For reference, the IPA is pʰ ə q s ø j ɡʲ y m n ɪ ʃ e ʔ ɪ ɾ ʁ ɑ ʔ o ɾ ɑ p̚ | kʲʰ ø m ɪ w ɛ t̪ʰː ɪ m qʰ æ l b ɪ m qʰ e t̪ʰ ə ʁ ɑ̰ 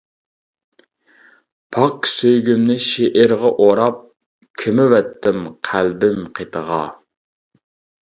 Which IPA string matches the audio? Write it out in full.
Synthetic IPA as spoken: pʰ ɑ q s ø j ɡʲ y m n ɪ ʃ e ʔ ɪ ɾ ʁ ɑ ʔ o ɾ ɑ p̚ | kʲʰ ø m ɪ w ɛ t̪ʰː ɪ m qʰ æ l b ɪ m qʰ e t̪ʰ ə ʁ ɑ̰